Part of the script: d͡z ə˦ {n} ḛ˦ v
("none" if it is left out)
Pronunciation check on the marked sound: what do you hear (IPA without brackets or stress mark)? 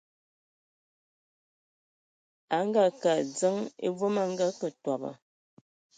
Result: ŋ